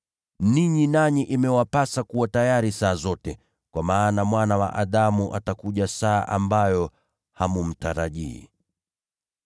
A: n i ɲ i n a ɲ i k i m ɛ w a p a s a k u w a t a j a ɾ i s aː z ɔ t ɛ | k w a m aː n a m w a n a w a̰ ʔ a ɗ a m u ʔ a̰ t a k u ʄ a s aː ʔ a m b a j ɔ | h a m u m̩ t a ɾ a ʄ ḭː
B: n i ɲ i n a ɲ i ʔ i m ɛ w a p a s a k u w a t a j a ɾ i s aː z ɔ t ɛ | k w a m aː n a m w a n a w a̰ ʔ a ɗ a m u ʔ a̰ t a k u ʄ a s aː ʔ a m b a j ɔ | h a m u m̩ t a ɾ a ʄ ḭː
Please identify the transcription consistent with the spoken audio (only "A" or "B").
B